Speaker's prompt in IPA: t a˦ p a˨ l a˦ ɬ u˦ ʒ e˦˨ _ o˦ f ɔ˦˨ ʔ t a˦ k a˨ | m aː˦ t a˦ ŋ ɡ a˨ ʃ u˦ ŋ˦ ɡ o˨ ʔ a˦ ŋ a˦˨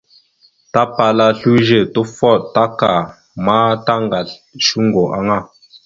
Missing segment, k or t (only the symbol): t